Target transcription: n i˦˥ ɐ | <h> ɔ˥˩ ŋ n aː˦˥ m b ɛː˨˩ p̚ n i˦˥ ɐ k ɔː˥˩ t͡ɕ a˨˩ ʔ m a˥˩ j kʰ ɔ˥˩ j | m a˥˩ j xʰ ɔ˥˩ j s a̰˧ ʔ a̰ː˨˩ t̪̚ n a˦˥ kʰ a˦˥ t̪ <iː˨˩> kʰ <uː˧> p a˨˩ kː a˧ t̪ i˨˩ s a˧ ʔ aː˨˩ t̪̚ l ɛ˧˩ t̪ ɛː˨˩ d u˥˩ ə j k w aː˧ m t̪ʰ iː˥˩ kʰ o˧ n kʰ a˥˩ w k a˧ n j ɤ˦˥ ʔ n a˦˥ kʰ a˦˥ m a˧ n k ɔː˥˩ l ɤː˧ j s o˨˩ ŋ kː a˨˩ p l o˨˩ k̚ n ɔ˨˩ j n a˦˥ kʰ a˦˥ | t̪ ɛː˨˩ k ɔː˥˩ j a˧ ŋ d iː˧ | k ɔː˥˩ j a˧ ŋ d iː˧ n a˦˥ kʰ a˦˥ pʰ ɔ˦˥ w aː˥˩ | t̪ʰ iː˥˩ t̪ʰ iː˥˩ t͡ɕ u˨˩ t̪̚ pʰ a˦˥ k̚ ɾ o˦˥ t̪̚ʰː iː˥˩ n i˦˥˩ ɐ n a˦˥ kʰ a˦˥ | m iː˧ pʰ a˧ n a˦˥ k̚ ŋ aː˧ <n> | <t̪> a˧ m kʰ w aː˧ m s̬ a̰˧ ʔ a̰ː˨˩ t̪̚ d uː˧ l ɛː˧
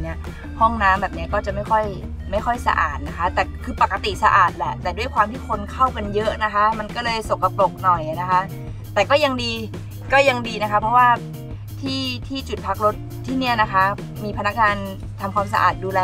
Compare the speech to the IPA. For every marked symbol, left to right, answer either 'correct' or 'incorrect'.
correct, incorrect: ɛː˨˩, incorrect: ɯː˧, correct, incorrect: t̪ʰ

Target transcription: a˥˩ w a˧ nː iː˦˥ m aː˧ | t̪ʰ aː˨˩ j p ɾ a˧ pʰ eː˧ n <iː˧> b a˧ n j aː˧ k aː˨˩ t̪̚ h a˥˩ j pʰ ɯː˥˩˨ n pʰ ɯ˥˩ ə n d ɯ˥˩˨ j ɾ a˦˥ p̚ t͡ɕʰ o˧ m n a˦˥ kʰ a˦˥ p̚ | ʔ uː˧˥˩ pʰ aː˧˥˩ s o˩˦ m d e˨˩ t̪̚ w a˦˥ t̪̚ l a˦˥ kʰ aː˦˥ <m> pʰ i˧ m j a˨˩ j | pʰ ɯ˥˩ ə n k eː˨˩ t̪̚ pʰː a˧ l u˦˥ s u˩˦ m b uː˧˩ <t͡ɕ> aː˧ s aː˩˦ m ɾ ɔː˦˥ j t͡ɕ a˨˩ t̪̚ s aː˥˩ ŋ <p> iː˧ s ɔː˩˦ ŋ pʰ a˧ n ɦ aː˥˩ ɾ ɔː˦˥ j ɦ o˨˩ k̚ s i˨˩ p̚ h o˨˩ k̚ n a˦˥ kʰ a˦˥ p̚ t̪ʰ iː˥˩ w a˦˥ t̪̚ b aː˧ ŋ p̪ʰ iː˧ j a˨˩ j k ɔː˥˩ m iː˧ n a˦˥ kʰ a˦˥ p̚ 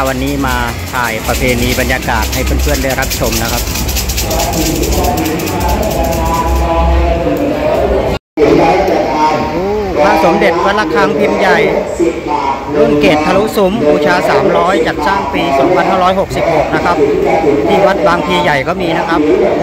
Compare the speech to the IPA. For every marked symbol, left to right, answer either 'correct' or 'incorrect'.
correct, incorrect: ŋ, incorrect: t͡ɕʰ, correct

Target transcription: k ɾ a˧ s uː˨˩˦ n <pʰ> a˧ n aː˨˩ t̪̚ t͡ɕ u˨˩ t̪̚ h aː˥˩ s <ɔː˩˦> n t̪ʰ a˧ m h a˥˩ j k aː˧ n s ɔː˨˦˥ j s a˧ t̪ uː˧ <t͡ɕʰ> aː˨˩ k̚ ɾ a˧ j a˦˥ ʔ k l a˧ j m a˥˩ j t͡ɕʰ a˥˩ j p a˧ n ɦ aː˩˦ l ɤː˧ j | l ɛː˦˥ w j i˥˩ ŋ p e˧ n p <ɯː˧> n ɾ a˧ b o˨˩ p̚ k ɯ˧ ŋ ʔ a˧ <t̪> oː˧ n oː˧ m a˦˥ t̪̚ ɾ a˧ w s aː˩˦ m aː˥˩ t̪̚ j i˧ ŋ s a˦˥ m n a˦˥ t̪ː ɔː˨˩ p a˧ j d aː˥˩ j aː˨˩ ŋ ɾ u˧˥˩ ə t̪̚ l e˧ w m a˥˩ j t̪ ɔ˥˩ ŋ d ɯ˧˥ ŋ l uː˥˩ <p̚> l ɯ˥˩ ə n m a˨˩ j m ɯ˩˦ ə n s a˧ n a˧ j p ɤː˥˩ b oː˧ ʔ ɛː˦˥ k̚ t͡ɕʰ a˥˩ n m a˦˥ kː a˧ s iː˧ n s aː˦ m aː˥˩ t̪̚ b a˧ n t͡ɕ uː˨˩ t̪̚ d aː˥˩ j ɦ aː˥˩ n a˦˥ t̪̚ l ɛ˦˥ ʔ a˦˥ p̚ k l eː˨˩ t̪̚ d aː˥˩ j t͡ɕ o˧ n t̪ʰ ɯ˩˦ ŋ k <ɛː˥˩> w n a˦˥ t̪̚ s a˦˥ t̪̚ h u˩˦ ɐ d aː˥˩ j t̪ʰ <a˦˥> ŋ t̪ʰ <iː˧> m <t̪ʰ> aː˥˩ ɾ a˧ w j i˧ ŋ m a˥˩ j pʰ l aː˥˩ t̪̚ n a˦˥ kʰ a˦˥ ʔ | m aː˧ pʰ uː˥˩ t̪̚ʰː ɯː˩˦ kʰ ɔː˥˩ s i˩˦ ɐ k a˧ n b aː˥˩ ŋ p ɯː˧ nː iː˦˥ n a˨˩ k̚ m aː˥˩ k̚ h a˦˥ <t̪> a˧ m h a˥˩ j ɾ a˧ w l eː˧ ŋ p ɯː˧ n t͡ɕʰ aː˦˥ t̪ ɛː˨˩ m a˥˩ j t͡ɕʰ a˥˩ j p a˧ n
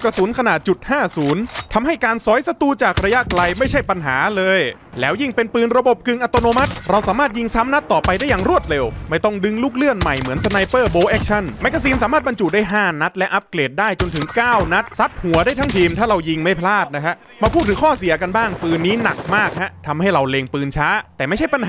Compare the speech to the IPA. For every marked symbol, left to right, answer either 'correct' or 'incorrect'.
incorrect: kʰ, incorrect: uː˩˦, incorrect: t͡ɕ, correct, correct, incorrect: k̚, incorrect: aː˥˩, correct, correct, correct, incorrect: t̪ʰ

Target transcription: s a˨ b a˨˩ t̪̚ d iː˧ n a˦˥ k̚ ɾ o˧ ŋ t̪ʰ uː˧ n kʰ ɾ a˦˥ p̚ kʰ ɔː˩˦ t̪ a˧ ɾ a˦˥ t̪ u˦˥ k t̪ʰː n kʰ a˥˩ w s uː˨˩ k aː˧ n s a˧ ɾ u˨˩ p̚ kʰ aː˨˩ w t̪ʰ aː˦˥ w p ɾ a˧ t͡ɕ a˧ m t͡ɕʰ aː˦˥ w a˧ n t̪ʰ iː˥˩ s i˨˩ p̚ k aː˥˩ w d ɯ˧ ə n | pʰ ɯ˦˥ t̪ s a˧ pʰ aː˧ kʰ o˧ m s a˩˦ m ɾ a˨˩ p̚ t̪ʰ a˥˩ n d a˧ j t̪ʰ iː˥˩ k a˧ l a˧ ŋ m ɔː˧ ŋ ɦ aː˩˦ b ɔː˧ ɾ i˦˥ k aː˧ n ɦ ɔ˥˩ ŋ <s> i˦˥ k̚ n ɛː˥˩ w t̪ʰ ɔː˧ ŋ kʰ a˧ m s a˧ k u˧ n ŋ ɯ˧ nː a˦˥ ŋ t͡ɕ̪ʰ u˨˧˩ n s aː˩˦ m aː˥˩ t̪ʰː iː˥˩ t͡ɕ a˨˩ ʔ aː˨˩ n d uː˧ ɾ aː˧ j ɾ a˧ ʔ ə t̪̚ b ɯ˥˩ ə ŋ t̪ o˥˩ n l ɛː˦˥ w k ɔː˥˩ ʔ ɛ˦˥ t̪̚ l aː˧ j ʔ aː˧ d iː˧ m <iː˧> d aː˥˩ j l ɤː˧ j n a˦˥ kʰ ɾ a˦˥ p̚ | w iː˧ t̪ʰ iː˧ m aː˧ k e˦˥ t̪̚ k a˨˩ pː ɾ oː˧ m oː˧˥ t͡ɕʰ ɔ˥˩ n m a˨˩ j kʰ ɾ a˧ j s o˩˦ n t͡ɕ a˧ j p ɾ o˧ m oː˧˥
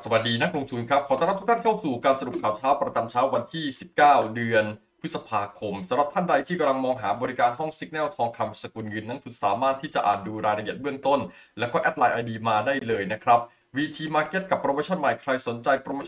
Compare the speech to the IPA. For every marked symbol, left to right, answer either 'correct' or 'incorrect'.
correct, incorrect: aː˧

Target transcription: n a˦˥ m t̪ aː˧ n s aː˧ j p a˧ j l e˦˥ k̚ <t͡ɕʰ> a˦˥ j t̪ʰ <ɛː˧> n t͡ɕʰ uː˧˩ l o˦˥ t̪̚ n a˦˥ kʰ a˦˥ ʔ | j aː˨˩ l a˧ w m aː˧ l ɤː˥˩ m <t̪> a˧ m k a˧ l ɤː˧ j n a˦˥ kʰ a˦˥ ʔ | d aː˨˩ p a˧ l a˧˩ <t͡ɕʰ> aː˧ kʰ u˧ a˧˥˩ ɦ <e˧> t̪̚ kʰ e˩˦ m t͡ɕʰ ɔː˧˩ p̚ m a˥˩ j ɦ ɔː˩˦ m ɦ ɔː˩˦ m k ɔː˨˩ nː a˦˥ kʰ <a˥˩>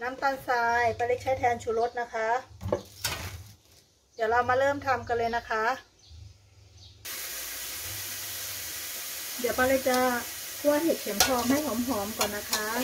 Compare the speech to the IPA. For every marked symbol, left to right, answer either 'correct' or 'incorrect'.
correct, correct, incorrect: t̪ʰ, incorrect: t͡ɕ, incorrect: e˨˩, incorrect: a˦˥

